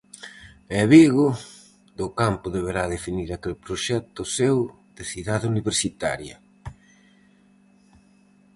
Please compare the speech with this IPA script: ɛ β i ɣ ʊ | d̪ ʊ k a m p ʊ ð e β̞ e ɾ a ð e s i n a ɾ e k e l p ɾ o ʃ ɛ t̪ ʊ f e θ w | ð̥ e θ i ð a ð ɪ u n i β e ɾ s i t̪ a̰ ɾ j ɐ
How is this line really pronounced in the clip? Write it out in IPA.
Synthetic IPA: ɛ β i ɣ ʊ | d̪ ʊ k a m p ʊ ð e β̞ e ɾ a ð e f i n i ɾ a k e l p ɾ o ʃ ɛ t̪ ʊ s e w | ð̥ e θ i ð a ð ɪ u n i β e ɾ s i t̪ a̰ ɾ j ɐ